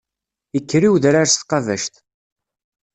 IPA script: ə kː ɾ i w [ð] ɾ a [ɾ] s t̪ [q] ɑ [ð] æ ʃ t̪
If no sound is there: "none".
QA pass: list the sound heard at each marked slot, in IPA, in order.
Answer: ð, ɾ, q, v

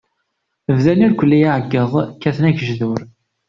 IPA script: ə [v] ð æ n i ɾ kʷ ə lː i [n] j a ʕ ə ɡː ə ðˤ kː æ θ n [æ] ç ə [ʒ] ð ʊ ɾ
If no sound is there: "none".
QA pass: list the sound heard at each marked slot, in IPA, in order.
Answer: v, none, æ, ʒ

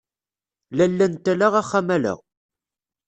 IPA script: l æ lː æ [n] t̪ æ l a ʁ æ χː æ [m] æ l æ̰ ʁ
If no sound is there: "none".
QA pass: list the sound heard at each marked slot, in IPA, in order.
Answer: n, m

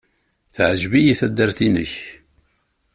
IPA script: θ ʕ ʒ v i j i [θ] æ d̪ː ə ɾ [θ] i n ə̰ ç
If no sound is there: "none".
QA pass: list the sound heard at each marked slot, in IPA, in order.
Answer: θ, θ

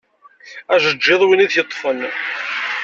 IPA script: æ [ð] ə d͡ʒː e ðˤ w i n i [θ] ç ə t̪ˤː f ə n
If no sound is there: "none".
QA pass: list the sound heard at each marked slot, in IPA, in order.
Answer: ʒ, ð

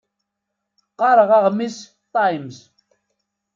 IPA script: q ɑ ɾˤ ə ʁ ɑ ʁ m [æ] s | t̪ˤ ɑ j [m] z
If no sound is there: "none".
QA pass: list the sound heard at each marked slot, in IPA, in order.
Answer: i, m

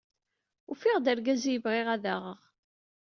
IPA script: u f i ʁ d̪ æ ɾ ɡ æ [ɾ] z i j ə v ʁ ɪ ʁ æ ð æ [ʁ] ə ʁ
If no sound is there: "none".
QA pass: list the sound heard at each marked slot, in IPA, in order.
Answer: none, ʁ

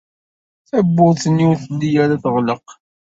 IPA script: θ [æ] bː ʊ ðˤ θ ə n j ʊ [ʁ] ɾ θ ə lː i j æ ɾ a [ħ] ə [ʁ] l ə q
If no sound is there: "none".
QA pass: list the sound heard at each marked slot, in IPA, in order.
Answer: æ, none, θ, ʁ

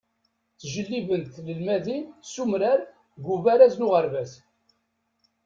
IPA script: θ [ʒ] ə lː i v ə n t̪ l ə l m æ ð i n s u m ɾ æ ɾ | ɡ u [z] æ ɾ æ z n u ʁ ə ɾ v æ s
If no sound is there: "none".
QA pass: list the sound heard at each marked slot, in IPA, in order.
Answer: ʒ, v

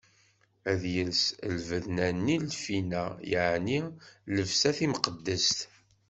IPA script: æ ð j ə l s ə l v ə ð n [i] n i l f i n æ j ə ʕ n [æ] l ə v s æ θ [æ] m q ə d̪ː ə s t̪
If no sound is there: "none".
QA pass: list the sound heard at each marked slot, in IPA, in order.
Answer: æ, i, i

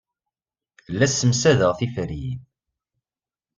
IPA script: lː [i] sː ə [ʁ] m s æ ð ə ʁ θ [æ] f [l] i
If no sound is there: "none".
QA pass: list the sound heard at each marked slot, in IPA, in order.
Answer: æ, none, i, ɾ

